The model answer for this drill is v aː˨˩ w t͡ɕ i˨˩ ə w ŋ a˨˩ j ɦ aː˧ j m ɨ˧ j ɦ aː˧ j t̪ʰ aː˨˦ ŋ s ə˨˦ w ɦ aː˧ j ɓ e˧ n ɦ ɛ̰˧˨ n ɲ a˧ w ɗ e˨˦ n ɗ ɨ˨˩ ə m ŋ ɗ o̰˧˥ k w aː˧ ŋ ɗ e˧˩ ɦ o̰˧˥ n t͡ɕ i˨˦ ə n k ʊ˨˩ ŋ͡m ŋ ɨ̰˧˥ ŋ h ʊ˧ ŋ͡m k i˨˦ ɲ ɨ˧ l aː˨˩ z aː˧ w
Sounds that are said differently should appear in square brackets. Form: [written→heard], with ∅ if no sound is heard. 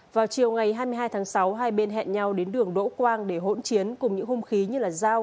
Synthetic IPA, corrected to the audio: v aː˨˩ w t͡ɕ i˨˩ ə w ŋ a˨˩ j ɦ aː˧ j m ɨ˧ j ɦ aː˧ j t̪ʰ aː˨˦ ŋ s [ə˨˦→a˨˦] w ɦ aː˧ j ɓ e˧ n ɦ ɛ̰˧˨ n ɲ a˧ w ɗ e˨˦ n ɗ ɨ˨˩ ə [m→∅] ŋ ɗ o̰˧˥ k w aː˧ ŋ ɗ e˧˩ ɦ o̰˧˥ n t͡ɕ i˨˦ ə n k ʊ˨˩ ŋ͡m [ŋ→ɲ] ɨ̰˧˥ ŋ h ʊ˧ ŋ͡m [k→x] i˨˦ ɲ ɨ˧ l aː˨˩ z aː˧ w